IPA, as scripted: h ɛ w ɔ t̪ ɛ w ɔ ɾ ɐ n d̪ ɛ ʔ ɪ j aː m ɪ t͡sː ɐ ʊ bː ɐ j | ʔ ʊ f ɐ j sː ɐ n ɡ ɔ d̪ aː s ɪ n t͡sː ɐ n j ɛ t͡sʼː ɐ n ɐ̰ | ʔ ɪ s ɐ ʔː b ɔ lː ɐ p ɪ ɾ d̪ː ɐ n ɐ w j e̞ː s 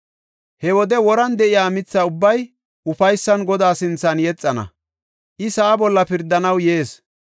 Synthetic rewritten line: h ɛ w ɔ d̪ ɛ w ɔ ɾ ɐ n d̪ ɛ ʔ ɪ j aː m ɪ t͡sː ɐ ʊ bː ɐ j | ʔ ʊ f ɐ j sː ɐ n ɡ ɔ d̪ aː s ɪ n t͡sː ɐ n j ɛ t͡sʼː ɐ n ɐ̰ | ʔ ɪ s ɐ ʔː b ɔ lː ɐ p ɪ ɾ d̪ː ɐ n ɐ w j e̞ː s